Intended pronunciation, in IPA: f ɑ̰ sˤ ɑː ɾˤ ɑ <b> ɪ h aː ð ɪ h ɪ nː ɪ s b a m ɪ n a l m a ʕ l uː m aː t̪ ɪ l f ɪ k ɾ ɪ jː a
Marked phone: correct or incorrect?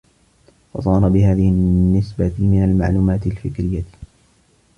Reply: correct